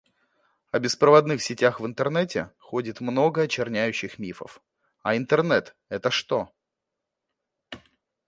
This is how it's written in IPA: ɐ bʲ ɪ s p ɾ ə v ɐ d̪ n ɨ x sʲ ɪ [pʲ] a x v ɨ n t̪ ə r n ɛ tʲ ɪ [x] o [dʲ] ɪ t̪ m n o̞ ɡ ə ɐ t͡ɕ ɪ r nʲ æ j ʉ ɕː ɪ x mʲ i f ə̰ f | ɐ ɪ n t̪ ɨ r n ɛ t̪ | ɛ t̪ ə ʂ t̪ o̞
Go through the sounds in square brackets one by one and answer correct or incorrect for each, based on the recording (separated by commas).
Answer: incorrect, correct, correct